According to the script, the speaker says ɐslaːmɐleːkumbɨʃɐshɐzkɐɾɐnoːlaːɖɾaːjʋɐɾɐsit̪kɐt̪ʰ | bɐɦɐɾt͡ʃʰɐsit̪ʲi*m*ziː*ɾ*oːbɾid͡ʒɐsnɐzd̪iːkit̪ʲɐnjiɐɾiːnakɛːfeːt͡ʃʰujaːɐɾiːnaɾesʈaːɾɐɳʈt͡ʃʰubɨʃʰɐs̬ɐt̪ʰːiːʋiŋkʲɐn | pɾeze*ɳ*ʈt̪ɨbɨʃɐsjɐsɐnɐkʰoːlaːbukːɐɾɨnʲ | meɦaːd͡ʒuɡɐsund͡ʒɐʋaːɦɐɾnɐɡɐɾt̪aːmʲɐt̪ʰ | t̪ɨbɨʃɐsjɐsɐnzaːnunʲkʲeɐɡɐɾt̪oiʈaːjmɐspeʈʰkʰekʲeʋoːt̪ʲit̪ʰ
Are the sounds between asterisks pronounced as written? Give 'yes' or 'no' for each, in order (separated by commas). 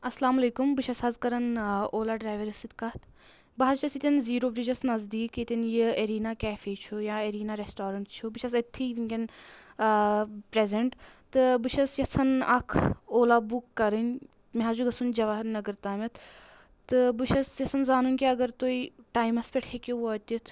no, yes, yes